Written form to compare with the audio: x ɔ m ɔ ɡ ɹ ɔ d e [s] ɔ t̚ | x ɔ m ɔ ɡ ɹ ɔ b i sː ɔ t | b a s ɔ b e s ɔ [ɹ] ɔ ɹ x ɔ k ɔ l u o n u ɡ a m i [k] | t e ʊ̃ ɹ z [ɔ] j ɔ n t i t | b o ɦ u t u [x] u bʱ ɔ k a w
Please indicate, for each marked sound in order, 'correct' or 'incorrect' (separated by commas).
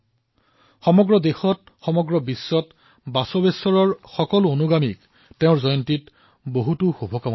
incorrect, correct, correct, correct, correct